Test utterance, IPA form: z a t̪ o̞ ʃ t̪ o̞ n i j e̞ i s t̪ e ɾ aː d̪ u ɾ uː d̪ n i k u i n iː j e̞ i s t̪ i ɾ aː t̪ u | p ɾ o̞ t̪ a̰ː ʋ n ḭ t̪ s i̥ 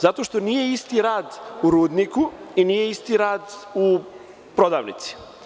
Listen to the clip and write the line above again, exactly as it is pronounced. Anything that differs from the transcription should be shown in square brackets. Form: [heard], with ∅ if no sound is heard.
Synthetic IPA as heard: z a t̪ o̞ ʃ t̪ o̞ n i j e̞ i s t̪ [i] ɾ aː d̪ u ɾ uː d̪ n i k u i n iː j e̞ i s t̪ i ɾ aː [d̪] u | p ɾ o̞ [d̪] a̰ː ʋ n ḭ t̪ s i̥